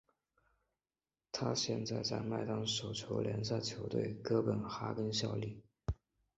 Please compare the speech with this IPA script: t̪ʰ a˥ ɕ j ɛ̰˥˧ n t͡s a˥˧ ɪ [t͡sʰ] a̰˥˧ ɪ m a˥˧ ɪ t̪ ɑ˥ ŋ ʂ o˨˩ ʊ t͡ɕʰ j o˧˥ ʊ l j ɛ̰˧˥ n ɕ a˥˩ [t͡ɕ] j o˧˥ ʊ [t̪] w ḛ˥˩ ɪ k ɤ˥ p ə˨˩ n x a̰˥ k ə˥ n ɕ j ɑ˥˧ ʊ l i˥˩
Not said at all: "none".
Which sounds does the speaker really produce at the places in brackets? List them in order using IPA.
t͡s, t͡ɕʰ, t̪

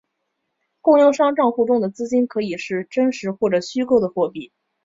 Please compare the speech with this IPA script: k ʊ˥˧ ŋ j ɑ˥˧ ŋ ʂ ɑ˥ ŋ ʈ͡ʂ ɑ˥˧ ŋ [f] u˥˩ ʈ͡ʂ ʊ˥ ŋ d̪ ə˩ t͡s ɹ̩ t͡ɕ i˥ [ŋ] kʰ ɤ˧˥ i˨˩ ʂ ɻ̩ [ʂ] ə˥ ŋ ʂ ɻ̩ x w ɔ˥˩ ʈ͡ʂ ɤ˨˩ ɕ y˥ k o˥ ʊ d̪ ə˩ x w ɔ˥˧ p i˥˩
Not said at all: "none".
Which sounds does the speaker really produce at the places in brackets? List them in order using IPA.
x, n, ʈ͡ʂ

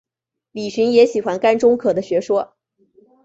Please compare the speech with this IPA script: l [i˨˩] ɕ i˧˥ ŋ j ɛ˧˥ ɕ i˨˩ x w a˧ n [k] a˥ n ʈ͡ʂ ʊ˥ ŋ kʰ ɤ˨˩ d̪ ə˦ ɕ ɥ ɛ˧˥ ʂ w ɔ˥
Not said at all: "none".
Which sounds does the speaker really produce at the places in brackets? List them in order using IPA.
i˨˩, k

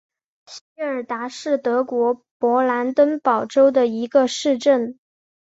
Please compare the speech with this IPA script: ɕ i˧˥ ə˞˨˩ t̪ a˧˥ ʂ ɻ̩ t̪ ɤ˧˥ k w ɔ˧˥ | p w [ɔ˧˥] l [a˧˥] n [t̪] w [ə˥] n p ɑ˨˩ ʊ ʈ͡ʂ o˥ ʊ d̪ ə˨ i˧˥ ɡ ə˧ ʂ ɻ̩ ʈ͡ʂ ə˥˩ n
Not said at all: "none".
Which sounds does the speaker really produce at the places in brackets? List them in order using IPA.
ɔ˧˥, a˧˥, t̪, ə˥

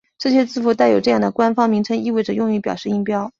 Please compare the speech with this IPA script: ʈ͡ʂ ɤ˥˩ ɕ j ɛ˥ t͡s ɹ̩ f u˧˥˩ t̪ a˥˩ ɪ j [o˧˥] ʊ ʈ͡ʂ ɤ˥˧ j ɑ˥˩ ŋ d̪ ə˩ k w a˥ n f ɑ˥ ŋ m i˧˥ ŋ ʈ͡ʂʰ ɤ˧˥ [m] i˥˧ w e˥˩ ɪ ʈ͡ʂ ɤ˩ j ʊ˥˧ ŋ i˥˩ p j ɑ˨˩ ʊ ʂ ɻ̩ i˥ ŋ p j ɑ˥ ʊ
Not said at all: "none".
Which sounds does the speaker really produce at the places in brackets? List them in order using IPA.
o˨˩, ŋ

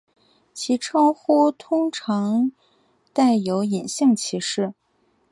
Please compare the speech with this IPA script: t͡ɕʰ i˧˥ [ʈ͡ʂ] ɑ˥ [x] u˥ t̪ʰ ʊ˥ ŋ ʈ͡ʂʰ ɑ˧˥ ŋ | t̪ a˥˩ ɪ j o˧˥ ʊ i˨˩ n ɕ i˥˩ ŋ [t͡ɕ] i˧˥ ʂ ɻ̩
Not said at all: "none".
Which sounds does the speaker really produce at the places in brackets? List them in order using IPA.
ʈ͡ʂʰ, x, t͡ɕʰ

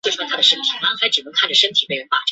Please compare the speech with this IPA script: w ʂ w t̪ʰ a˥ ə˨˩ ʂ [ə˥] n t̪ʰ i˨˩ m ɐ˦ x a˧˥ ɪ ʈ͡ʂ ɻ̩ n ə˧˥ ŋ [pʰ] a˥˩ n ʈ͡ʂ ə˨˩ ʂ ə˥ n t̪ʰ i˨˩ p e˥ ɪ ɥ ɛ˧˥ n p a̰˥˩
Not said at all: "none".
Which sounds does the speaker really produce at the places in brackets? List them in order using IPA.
ə˥, kʰ

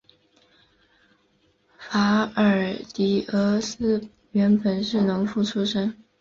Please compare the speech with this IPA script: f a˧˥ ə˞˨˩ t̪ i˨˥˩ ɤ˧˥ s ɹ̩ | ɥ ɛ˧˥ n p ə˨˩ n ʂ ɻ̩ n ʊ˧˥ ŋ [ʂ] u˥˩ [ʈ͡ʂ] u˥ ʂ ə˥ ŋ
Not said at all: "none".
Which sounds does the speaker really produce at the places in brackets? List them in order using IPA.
f, ʈ͡ʂʰ

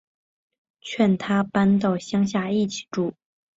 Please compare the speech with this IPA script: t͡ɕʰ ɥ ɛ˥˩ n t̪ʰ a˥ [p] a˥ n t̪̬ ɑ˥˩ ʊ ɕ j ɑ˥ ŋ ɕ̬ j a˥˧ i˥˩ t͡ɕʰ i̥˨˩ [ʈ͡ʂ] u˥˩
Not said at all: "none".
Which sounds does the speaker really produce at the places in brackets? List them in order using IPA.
p, ʈ͡ʂ

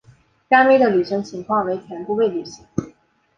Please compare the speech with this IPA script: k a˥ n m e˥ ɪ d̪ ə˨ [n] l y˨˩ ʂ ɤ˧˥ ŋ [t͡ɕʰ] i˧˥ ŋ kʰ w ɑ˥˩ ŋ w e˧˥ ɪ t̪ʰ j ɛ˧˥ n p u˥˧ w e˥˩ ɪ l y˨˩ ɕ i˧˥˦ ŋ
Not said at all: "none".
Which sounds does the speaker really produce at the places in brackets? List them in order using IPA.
none, t͡ɕʰ

